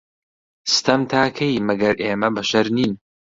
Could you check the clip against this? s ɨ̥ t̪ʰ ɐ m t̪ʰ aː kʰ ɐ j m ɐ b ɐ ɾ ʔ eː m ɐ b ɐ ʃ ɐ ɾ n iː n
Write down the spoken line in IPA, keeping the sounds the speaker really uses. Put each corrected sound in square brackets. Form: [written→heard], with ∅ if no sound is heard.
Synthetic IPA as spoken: s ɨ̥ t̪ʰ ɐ m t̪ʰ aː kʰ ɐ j m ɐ [b→ɡ] ɐ ɾ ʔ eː m ɐ b ɐ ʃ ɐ ɾ n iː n